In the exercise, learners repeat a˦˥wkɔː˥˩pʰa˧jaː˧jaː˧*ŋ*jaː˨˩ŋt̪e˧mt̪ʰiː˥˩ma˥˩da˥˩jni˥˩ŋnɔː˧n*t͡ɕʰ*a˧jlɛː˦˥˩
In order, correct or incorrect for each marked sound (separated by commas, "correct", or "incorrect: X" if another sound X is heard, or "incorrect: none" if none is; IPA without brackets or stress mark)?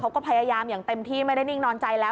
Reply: incorrect: m, incorrect: t͡ɕ